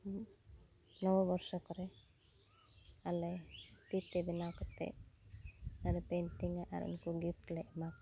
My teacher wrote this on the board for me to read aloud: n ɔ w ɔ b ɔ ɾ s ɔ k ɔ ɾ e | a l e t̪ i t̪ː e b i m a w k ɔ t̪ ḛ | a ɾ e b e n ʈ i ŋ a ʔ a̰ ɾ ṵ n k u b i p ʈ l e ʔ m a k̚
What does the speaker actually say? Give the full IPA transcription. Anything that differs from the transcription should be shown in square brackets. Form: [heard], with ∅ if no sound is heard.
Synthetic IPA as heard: n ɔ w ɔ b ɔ ɾ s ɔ k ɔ ɾ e | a l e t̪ i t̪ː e b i [n] a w k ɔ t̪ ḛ | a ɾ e [p] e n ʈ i ŋ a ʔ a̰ ɾ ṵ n k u [ɡ] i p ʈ l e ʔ m a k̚